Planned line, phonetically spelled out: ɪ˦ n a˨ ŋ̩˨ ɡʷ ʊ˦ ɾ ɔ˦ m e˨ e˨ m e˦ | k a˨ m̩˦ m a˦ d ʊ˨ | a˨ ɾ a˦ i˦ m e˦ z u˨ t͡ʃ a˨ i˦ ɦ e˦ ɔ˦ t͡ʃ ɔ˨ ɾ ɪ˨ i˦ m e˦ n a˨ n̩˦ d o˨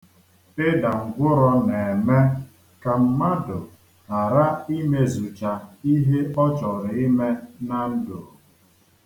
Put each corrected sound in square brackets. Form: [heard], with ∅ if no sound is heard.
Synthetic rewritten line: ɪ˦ [d] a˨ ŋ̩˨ ɡʷ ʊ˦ ɾ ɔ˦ [n] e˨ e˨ m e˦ | k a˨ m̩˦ m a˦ d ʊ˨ | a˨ ɾ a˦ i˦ m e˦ z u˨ t͡ʃ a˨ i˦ ɦ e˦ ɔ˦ t͡ʃ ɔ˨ ɾ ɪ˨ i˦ m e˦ n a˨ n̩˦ d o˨